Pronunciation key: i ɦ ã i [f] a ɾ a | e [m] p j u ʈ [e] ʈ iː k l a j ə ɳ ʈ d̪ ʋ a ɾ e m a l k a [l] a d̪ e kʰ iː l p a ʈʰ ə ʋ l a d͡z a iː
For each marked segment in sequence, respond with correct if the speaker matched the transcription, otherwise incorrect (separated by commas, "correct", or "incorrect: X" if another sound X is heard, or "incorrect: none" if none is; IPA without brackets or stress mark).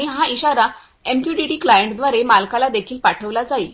incorrect: ɕ, correct, incorrect: i, correct